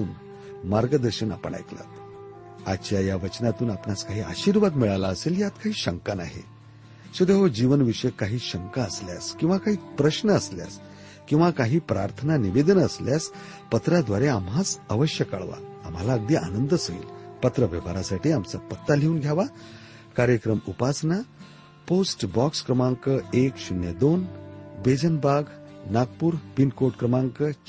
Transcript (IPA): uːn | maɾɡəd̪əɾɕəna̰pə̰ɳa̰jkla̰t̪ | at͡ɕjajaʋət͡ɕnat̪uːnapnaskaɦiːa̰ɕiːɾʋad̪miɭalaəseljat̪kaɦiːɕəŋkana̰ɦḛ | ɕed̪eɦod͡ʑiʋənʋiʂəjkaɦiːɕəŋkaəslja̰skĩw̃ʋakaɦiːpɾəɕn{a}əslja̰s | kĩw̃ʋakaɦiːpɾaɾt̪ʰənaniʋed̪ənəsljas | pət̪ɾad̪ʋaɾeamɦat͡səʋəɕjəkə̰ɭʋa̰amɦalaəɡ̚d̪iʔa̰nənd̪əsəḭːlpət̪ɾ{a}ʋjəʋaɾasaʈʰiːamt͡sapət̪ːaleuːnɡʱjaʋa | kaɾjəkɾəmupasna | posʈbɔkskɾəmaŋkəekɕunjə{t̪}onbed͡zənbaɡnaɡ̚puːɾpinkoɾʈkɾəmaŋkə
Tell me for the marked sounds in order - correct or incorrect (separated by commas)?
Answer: incorrect, incorrect, incorrect